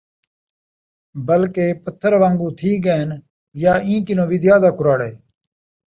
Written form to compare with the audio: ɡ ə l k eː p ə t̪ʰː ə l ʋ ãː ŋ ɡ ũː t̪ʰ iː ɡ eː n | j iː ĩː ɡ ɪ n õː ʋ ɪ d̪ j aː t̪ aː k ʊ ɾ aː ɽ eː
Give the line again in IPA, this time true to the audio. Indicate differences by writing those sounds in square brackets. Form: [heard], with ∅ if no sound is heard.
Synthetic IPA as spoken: [b] ə l k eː p ə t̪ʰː ə [ɾ] ʋ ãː ŋ ɡ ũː t̪ʰ iː ɡ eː n | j [aː] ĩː [k] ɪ n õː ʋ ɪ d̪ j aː [d̪] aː k ʊ ɾ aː ɽ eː